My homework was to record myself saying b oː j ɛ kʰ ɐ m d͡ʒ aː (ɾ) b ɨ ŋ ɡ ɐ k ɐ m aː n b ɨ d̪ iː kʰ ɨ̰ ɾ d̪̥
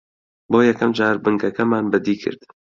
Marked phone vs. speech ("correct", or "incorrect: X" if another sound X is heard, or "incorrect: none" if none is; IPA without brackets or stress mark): correct